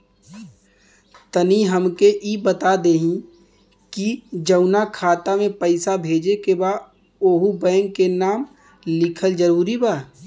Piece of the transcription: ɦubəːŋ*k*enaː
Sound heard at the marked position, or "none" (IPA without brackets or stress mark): k